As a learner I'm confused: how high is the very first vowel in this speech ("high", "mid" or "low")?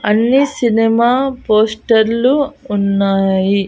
low